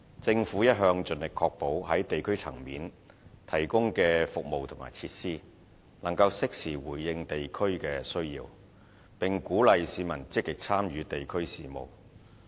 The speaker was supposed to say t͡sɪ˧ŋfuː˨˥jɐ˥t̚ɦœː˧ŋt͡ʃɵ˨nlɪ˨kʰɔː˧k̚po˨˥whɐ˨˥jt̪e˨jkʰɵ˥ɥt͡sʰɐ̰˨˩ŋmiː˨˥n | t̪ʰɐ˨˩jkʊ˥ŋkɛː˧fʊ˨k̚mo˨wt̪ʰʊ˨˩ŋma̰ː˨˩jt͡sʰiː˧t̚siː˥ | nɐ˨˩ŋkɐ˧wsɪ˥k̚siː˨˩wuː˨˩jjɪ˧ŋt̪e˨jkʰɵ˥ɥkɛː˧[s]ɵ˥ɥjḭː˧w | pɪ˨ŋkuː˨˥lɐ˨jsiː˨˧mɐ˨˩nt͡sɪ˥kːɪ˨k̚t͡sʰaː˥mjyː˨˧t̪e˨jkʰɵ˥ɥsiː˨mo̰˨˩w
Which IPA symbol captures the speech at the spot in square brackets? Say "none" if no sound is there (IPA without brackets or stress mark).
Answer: s